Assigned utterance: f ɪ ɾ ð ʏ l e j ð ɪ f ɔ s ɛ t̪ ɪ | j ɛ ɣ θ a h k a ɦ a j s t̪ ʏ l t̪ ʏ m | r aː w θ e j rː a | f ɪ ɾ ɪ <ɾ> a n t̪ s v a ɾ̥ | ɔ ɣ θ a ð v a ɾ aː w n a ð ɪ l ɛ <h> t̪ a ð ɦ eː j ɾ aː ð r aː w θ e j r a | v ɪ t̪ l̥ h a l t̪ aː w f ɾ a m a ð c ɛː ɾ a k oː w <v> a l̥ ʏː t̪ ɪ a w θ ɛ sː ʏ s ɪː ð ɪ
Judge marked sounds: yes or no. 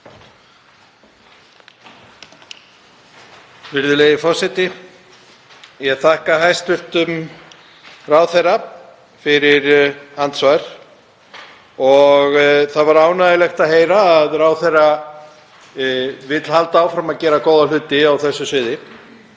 yes, no, no

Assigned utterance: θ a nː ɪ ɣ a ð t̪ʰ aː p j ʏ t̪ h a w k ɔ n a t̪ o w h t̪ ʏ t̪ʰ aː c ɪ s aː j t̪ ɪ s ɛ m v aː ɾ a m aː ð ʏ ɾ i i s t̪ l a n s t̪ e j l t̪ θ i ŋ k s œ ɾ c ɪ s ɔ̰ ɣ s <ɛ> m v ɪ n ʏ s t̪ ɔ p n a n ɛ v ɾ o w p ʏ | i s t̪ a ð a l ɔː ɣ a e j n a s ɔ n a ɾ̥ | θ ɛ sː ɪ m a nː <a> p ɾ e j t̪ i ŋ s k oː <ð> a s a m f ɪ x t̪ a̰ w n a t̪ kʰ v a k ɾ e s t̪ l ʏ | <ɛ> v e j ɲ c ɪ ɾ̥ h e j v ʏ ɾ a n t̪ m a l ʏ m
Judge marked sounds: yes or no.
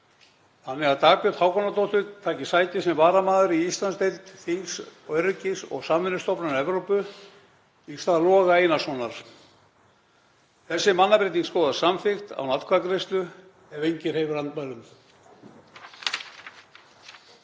no, yes, yes, yes

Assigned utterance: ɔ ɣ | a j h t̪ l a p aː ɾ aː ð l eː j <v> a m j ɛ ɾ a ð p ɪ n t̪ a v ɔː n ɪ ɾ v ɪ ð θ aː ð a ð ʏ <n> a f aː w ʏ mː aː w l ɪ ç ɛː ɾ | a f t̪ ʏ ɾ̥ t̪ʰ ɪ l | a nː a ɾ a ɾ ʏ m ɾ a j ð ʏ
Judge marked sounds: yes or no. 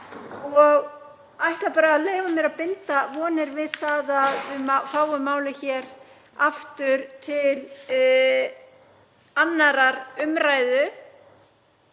yes, no

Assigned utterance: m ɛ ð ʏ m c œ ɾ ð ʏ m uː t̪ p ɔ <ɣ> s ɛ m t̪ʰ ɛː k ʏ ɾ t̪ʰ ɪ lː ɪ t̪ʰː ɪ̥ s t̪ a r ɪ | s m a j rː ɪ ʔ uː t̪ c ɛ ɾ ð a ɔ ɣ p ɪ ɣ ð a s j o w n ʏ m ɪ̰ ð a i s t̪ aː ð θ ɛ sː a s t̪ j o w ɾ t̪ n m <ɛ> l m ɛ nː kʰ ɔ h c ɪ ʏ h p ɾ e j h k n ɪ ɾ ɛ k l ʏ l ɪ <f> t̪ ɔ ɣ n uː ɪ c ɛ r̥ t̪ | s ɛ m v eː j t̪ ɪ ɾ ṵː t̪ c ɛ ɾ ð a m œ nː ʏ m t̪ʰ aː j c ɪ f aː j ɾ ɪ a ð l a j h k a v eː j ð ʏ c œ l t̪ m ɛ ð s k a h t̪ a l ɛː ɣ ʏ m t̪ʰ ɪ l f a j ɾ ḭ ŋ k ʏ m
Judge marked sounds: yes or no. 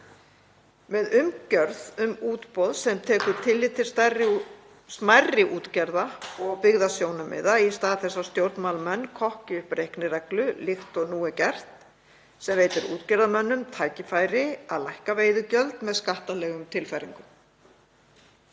no, no, no

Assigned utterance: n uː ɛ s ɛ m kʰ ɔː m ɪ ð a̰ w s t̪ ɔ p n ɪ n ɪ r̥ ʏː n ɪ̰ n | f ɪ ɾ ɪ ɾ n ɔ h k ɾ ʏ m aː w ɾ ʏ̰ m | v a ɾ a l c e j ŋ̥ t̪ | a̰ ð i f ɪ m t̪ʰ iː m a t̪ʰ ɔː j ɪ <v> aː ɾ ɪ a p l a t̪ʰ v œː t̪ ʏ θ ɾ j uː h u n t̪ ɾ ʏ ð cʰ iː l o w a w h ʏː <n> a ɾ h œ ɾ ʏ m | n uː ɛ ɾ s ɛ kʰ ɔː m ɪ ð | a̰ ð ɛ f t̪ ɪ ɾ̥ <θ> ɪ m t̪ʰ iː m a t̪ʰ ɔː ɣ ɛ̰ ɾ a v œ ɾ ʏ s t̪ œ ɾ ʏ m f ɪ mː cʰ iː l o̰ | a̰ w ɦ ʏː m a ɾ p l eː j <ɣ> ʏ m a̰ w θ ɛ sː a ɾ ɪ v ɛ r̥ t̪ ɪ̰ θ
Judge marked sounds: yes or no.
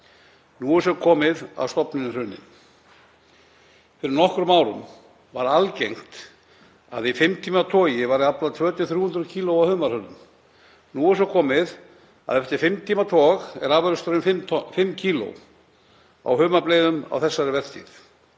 yes, no, no, no

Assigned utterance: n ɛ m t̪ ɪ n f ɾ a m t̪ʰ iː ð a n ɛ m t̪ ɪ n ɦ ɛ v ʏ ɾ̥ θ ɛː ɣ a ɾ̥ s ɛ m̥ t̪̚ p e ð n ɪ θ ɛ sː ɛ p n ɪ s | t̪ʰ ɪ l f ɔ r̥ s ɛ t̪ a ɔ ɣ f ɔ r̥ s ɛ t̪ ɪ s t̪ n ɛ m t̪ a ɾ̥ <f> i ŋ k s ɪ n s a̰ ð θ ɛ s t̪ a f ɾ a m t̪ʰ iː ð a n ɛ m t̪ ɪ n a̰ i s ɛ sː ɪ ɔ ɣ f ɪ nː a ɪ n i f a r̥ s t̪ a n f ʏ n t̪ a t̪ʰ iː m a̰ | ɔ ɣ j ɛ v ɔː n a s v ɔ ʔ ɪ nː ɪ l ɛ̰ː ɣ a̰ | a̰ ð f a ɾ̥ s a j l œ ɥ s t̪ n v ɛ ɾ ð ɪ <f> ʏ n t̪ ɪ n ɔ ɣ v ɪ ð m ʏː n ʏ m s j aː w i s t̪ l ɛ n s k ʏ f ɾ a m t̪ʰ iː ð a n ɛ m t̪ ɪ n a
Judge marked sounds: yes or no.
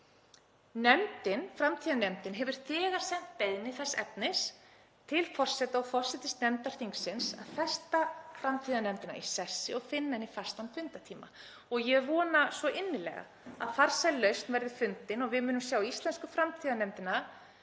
no, yes

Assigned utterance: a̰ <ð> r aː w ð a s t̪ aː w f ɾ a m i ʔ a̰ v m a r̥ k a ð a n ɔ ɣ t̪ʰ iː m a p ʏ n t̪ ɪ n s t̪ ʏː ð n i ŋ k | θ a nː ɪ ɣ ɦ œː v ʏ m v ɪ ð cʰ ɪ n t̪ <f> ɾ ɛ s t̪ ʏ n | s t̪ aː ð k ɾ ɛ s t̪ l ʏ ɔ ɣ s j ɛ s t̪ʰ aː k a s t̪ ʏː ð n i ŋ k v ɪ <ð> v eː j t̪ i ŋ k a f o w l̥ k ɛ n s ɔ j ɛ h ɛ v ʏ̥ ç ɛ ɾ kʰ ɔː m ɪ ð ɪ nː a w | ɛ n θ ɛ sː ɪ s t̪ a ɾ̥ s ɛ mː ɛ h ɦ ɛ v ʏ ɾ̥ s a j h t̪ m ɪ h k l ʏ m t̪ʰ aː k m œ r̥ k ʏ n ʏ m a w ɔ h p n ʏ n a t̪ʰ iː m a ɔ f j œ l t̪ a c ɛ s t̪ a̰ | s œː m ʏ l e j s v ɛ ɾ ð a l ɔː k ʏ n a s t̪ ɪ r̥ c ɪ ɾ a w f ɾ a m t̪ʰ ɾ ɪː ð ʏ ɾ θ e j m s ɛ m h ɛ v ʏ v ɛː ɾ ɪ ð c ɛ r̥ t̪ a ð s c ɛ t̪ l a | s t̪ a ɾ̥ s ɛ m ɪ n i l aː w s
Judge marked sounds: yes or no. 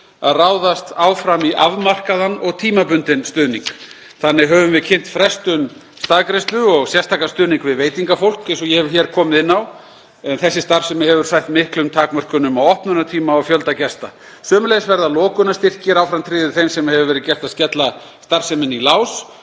yes, yes, yes

